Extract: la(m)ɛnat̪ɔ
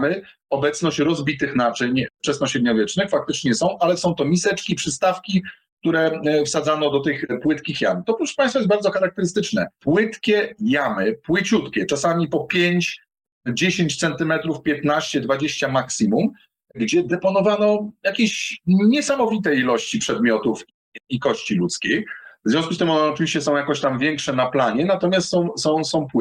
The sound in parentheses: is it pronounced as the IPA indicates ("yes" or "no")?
no